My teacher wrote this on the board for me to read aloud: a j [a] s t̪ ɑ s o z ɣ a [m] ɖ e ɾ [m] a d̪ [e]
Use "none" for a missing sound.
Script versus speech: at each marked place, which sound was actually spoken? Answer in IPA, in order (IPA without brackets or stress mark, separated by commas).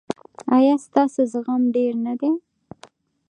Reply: ɑ, m, n, e